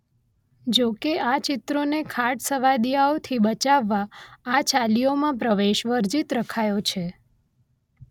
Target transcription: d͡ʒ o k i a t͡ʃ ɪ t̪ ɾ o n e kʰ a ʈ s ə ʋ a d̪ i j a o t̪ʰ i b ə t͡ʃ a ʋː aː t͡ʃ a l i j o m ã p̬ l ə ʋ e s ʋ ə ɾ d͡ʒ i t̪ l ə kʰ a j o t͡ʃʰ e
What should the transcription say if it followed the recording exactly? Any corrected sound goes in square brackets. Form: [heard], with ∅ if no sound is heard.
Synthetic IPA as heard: d͡ʒ o k [e] a t͡ʃ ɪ t̪ ɾ o n e kʰ a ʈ s ə ʋ a d̪ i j a o t̪ʰ i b ə t͡ʃ a ʋː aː t͡ʃ a l i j o m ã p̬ [ɾ] ə ʋ e [ʃ] ʋ ə ɾ d͡ʒ i t̪ [ɾ] ə kʰ a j o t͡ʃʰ e